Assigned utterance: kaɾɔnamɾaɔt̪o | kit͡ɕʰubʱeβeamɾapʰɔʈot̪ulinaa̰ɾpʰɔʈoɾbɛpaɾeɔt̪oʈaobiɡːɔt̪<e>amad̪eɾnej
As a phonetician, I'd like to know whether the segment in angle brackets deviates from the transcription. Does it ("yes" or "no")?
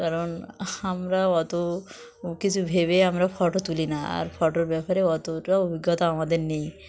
yes